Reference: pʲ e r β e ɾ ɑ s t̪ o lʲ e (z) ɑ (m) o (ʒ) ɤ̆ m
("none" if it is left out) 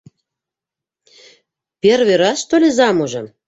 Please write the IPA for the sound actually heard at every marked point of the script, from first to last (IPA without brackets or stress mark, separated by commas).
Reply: z, m, ʒ